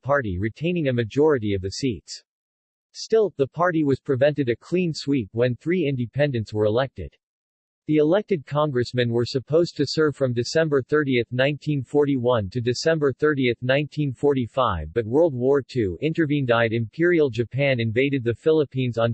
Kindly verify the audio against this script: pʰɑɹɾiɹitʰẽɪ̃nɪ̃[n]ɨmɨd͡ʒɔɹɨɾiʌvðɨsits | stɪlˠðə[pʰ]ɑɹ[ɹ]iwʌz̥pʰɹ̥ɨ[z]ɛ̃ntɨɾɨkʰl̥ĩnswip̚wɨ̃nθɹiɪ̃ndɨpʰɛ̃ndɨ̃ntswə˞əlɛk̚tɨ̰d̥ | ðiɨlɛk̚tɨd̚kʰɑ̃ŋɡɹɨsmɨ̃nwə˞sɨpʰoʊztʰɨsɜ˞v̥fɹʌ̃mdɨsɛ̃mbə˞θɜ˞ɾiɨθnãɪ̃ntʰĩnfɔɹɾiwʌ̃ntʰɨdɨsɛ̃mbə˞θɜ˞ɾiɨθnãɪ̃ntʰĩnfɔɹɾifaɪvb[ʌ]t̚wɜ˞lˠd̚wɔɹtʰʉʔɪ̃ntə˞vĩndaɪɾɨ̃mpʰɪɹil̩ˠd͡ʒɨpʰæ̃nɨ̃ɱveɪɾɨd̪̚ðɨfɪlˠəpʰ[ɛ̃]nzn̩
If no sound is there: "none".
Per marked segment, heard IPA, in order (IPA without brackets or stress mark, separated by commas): ŋ, pʰ, ɾ, v, ʌ, ĩ